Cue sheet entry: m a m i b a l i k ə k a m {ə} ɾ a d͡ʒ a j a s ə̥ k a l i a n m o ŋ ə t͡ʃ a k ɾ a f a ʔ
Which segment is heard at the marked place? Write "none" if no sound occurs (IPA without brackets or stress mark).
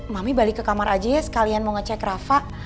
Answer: a